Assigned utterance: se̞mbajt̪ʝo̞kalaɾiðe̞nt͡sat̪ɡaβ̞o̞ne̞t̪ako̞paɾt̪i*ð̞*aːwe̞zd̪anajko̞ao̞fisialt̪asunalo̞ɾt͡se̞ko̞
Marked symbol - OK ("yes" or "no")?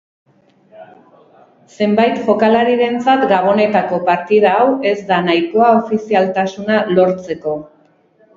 yes